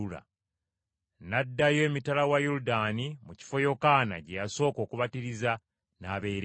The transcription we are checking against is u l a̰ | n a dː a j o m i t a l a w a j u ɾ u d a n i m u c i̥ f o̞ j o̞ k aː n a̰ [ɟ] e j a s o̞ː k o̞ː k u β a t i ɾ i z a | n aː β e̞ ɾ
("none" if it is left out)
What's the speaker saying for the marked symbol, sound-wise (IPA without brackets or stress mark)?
ɟ